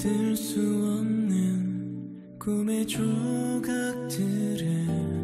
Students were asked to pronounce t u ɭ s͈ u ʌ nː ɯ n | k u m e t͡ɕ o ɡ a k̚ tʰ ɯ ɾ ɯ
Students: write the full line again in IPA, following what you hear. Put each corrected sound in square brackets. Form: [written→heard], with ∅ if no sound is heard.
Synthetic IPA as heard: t [u→ɯ] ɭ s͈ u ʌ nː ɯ n | k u m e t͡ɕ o ɡ a k̚ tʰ ɯ ɾ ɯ

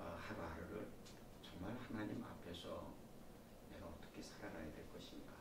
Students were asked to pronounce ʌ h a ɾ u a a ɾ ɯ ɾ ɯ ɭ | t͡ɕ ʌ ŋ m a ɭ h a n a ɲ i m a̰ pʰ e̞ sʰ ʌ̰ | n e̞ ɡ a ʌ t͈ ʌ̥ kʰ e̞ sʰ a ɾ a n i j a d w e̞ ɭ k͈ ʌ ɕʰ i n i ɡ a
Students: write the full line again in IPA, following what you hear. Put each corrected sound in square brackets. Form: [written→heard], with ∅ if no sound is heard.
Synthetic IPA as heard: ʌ h a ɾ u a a ɾ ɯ ɾ ɯ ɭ | t͡ɕ ʌ ŋ m a ɭ h a n a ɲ i m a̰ pʰ e̞ sʰ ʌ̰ | n e̞ ɡ a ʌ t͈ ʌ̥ kʰ e̞ sʰ a ɾ a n [i→a] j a d w e̞ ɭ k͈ ʌ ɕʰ i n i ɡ a

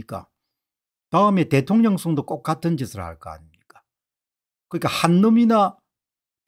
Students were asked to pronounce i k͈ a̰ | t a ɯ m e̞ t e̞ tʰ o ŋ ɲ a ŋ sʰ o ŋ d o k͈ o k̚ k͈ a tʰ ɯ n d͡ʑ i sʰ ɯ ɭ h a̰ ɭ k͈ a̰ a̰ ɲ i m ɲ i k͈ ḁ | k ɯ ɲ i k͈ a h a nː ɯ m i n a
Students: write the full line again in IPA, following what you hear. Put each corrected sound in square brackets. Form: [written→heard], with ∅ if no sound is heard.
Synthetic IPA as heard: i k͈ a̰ | t a ɯ m e̞ t e̞ tʰ o ŋ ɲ [a→ʌ] ŋ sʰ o ŋ d o k͈ o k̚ k͈ a tʰ ɯ n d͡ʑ i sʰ ɯ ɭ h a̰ ɭ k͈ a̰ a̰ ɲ i m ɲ i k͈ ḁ | k ɯ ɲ i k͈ a h a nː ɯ m i n a

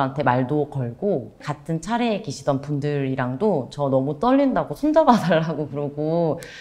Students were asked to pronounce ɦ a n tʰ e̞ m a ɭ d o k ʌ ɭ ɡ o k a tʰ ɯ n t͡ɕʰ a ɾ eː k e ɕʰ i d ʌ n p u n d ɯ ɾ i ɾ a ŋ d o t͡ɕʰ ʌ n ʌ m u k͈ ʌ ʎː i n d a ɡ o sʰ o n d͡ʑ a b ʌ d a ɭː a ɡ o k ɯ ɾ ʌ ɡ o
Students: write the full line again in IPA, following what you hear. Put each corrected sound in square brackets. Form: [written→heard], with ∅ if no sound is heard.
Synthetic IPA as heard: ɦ a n tʰ e̞ m a ɭ d o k ʌ ɭ ɡ o k a tʰ ɯ n t͡ɕʰ a ɾ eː k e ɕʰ i d ʌ n p u n d ɯ ɾ i ɾ a ŋ d o [t͡ɕʰ→t͡ɕ] ʌ n ʌ m u [k͈→t͈] ʌ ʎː i n d a ɡ o sʰ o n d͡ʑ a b [ʌ→a] d a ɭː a ɡ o k ɯ ɾ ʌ ɡ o

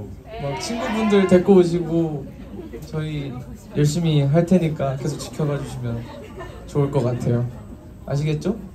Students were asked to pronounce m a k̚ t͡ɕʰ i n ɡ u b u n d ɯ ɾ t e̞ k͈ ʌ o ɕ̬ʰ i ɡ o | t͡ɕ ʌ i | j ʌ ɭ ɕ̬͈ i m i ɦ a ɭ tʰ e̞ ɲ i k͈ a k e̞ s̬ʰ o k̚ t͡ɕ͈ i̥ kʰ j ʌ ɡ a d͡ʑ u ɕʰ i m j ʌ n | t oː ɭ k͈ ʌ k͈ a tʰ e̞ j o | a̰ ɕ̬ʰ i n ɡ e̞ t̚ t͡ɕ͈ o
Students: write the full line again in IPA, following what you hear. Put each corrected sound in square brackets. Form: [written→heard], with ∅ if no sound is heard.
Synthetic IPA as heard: m a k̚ t͡ɕʰ i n ɡ u b u n d ɯ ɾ t e̞ k͈ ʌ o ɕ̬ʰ i ɡ o | t͡ɕ ʌ i | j ʌ ɭ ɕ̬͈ i m i ɦ a ɭ tʰ e̞ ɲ i k͈ a k e̞ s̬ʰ o k̚ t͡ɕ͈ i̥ kʰ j ʌ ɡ a d͡ʑ u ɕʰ i m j ʌ n | [t→t͡ɕ] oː ɭ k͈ ʌ k͈ a tʰ e̞ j o | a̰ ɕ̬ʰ i [n→∅] ɡ e̞ t̚ t͡ɕ͈ o

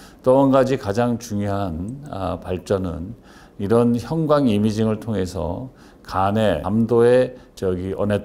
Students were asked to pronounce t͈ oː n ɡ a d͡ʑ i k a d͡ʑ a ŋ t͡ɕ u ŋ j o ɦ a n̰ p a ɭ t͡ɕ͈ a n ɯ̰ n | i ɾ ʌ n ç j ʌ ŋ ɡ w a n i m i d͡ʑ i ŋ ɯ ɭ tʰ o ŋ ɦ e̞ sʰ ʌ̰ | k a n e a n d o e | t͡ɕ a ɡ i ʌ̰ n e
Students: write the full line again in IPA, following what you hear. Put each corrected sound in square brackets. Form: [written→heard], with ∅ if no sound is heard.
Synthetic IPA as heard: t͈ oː n ɡ a d͡ʑ i k a d͡ʑ a ŋ t͡ɕ u ŋ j o ɦ a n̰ p a ɭ t͡ɕ͈ [a→ʌ] n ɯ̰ n | i ɾ ʌ n ç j ʌ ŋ ɡ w a [n→ŋ] i m i d͡ʑ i ŋ ɯ ɭ tʰ o ŋ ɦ e̞ sʰ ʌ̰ | k a n e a [n→m] d o e | t͡ɕ [a→ʌ] ɡ i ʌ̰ n e

